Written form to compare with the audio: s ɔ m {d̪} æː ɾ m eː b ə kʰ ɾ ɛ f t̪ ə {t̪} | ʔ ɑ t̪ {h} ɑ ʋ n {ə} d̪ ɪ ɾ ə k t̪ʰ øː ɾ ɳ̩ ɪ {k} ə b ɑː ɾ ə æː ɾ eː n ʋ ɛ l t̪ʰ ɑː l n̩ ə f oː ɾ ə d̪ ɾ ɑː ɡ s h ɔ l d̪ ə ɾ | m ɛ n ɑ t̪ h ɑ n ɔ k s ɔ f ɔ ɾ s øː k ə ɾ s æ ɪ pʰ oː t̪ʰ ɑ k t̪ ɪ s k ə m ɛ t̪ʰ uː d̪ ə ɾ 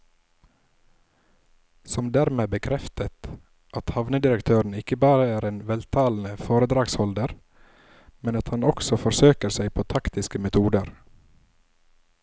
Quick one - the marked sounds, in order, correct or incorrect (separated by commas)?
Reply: correct, correct, correct, correct, correct